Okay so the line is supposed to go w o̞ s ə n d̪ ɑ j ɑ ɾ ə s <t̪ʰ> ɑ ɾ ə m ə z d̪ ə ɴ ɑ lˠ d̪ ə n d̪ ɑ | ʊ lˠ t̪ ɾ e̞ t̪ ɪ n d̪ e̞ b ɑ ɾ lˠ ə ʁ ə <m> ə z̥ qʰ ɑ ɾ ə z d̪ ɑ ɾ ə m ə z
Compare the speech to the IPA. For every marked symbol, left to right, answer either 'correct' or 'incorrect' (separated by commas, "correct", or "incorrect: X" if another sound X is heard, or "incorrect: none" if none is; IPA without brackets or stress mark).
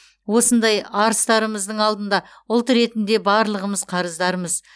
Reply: incorrect: t̪, correct